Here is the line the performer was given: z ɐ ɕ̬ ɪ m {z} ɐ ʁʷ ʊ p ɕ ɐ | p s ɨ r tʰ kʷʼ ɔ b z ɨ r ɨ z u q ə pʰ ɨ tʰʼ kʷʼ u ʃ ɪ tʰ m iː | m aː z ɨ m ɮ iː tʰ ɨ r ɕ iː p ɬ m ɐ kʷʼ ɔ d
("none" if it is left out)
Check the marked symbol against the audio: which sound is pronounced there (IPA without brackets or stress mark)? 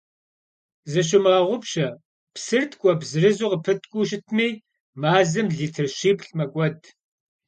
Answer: ʁ